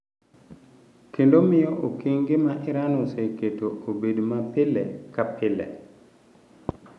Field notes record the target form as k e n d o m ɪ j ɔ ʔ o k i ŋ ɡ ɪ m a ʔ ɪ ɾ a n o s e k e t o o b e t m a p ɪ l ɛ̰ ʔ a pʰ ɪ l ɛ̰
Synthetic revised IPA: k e n d o m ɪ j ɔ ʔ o k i ŋ ɡ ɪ m a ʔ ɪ ɾ a n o s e k e t o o b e d m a p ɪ l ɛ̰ k a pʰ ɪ l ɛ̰